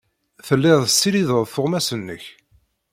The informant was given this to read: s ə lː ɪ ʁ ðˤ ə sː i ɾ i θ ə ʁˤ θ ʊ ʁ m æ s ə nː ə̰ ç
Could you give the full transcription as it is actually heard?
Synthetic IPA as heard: θ ə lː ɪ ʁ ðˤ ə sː i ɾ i ð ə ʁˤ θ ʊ ʁ m æ s ə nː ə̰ ç